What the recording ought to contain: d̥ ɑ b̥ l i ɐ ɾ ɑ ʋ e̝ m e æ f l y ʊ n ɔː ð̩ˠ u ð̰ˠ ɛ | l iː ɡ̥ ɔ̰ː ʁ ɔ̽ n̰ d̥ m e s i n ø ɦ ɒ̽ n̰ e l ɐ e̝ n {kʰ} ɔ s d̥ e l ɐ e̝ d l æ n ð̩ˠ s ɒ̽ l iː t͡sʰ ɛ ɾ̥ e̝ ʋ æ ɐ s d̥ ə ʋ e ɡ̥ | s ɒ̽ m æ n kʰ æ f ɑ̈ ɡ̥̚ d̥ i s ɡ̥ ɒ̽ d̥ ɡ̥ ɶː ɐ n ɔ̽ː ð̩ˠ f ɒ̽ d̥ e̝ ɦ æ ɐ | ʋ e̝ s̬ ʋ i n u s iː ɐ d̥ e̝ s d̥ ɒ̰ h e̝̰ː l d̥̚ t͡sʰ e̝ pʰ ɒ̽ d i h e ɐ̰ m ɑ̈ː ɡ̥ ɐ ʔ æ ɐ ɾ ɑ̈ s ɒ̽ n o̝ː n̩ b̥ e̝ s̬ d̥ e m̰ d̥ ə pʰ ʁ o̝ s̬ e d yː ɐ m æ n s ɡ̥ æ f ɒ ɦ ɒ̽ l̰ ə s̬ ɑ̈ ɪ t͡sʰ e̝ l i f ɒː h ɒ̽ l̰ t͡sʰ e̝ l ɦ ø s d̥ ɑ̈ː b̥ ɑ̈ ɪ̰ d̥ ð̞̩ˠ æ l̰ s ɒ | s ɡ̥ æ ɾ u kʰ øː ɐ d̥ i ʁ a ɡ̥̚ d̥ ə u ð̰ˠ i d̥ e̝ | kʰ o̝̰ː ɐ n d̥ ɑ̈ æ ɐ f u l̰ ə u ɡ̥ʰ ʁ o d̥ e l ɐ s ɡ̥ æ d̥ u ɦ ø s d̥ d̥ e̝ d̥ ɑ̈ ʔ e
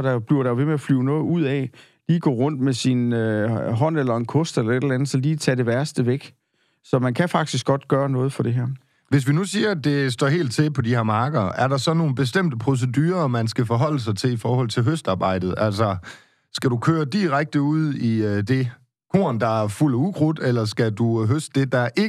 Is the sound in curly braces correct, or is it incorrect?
correct